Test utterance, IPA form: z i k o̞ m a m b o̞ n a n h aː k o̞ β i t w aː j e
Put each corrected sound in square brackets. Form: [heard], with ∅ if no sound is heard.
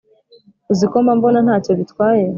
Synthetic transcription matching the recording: z i k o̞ m a m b o̞ n a n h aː [c] o̞ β i t w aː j e